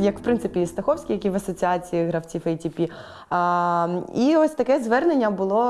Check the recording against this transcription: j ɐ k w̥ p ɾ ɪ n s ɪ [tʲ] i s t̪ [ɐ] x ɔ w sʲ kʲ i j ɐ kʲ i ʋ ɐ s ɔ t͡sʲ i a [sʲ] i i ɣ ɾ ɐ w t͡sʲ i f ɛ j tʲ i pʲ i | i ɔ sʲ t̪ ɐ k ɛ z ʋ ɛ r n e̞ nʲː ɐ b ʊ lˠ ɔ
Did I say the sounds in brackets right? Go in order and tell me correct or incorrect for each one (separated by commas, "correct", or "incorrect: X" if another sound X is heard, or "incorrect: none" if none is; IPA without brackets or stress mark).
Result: incorrect: pʲ, correct, incorrect: t͡sʲ